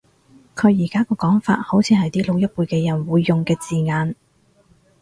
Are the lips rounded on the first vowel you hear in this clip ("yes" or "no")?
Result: yes